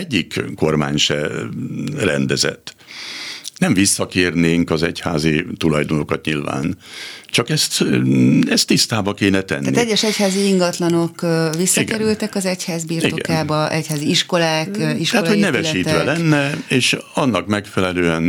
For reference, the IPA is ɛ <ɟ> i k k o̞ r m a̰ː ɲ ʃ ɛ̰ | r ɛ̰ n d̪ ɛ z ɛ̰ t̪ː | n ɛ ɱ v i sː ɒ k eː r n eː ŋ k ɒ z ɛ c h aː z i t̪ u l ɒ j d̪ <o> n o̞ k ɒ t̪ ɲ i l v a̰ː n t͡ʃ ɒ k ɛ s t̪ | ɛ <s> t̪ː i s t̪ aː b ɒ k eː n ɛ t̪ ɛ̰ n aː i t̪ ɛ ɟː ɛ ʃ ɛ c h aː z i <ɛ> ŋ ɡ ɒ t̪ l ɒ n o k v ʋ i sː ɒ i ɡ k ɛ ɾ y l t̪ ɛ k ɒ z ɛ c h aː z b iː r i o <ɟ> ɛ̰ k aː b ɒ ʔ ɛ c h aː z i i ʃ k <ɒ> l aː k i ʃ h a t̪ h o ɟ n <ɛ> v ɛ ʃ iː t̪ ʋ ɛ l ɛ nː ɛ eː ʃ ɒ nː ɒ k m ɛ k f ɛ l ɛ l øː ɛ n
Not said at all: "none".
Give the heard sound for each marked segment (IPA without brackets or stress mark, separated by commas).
ɟː, o, s, i, ɡ, o, ɛ